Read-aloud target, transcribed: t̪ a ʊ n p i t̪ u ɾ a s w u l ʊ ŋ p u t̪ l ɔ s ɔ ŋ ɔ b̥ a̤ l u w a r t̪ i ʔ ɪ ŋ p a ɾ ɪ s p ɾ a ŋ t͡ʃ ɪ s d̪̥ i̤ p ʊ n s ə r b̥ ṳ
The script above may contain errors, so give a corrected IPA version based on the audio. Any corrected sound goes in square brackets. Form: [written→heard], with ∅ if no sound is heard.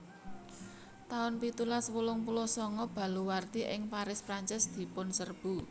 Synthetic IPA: t̪ a ʊ n p i t̪ u [ɾ→l] a s w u l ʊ ŋ p u [t̪→∅] l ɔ s ɔ ŋ ɔ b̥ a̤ l u w a r t̪ i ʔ ɪ ŋ p a ɾ ɪ s p ɾ a [ŋ→ɲ] t͡ʃ ɪ s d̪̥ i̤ p ʊ n s ə r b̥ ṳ